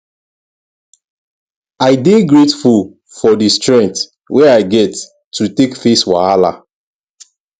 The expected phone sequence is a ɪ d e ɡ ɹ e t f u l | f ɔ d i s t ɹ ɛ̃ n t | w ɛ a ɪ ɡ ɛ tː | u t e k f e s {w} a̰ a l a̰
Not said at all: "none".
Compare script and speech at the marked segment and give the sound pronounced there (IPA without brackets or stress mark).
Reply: w